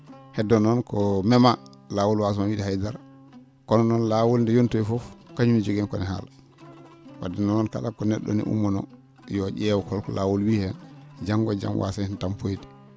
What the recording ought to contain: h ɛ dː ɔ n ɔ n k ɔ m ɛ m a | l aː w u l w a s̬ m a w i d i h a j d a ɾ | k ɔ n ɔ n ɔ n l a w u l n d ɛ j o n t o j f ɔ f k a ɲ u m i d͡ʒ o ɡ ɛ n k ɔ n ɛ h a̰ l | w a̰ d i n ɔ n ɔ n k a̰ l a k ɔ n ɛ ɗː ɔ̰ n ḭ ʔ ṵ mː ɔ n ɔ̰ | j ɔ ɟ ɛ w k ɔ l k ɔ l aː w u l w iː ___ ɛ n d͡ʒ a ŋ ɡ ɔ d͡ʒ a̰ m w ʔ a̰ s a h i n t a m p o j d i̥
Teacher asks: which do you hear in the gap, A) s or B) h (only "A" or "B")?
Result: B